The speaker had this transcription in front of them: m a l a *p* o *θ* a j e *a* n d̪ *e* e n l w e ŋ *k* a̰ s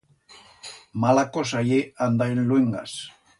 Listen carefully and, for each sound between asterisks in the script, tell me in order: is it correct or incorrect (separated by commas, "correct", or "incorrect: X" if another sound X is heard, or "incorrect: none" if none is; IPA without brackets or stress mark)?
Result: incorrect: k, incorrect: s, correct, incorrect: a, incorrect: ɡ